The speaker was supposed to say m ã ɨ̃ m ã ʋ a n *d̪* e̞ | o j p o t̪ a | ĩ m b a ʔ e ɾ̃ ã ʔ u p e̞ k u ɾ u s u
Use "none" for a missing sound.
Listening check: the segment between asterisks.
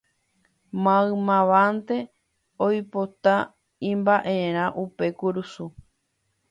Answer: t̪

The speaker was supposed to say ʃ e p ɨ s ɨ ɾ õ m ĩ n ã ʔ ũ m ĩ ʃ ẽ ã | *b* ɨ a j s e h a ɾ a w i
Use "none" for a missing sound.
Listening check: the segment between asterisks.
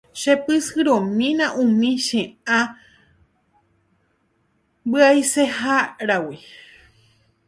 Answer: b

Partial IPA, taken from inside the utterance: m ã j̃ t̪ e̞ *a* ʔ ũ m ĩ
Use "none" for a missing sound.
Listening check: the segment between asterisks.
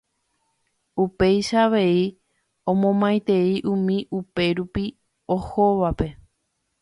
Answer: i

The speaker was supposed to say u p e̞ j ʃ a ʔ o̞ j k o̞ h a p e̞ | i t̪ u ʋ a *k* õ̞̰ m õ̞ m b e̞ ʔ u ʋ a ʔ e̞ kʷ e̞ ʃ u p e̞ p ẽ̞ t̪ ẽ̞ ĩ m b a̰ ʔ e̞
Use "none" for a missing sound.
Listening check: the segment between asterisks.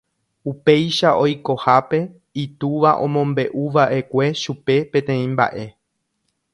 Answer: ʔ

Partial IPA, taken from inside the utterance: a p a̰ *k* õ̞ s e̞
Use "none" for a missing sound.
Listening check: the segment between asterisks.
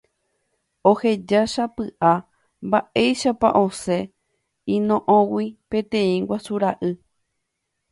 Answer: ʔ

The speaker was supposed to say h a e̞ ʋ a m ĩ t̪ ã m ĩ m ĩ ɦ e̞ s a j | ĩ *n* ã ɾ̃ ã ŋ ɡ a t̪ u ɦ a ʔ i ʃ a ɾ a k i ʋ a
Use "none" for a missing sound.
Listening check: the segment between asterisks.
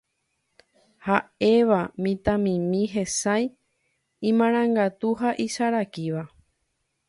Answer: m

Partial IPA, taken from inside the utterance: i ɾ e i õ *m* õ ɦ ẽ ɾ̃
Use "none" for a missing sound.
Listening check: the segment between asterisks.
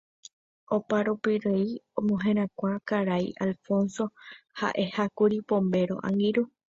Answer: m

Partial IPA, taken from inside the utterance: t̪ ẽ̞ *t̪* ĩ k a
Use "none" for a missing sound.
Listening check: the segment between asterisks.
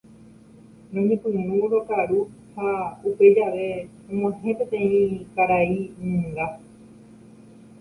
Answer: none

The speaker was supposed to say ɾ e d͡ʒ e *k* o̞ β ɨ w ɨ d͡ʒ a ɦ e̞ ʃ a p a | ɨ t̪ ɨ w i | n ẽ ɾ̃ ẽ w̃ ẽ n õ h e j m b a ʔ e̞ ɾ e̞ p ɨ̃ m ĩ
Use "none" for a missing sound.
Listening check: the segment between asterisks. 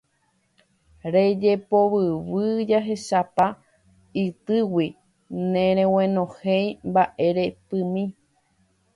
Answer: p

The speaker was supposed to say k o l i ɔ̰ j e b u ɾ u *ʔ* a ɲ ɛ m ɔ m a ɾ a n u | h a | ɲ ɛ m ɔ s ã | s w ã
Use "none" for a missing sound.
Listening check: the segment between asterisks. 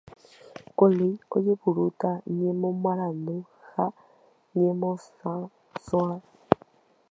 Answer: t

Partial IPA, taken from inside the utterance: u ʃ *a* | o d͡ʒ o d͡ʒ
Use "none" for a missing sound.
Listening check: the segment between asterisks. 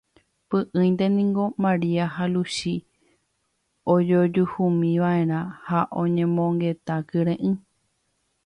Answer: i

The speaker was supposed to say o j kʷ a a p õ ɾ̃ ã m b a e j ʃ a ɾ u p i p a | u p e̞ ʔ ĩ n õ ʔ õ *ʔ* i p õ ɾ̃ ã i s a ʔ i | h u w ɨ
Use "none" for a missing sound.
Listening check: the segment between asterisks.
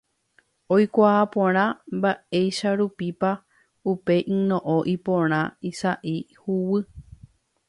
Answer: ʔ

